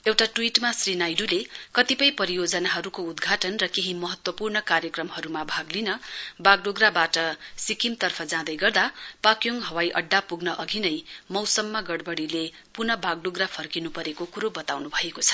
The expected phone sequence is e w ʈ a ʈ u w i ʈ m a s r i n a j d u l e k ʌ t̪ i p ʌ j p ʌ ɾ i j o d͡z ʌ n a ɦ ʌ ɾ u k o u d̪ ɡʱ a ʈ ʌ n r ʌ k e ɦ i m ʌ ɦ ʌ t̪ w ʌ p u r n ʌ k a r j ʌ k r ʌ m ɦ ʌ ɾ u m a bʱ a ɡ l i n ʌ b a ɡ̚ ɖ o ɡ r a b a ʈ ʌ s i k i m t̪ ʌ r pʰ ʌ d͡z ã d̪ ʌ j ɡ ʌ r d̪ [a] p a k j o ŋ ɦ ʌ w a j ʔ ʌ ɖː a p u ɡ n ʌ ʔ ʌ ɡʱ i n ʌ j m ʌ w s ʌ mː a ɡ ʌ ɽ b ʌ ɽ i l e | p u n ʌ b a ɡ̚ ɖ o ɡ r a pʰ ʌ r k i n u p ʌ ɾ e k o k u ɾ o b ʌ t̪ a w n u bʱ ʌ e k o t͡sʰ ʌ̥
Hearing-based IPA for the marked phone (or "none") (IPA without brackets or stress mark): a